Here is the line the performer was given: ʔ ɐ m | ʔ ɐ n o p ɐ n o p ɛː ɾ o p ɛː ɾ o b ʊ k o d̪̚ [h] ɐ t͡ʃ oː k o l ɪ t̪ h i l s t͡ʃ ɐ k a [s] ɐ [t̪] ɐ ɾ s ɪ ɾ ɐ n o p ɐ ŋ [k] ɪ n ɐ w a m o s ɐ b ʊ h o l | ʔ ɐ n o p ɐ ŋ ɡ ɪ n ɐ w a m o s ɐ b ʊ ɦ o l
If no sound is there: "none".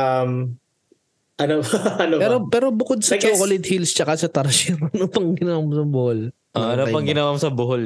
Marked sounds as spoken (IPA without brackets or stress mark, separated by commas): s, s, t̪, ɡ